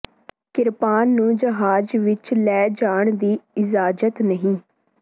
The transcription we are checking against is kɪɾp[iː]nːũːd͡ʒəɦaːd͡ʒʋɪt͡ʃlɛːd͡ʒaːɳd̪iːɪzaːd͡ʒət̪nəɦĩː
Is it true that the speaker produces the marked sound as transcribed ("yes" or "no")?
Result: no